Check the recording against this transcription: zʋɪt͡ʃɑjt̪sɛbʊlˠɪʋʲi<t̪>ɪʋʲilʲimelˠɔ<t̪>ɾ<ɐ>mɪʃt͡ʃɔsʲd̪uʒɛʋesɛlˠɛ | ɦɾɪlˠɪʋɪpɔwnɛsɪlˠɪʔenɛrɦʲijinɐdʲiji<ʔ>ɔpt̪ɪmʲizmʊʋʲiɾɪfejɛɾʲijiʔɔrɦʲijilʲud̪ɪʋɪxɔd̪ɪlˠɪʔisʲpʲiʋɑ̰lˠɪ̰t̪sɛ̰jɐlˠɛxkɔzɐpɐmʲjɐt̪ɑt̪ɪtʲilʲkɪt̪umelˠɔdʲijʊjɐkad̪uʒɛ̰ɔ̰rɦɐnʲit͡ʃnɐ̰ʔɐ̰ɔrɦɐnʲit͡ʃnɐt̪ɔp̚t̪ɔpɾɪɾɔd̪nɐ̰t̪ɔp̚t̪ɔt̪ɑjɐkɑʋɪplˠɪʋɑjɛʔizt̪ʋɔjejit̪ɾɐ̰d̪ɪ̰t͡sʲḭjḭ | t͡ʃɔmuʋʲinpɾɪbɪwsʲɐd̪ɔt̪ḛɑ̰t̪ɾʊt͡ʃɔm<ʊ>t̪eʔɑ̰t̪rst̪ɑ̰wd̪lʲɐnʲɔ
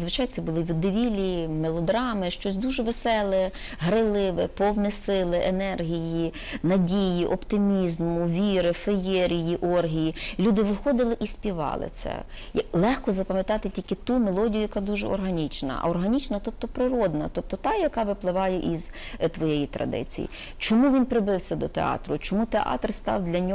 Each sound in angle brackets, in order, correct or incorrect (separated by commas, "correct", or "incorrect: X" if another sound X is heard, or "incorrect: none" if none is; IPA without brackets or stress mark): incorrect: d̪, incorrect: d̪, incorrect: ɑ, correct, incorrect: u